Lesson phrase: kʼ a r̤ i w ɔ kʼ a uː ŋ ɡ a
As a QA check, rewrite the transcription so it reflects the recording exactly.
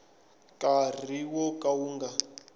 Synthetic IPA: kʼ a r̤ i w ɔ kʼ a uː ŋ ɡ a